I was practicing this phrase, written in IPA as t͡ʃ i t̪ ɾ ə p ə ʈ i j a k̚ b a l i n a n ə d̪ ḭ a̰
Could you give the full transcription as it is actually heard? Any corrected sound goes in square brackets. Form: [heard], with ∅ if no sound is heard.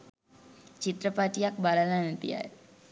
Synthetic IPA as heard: t͡ʃ i t̪ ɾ ə p [a] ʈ i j a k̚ b a l [a] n a n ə [t̪] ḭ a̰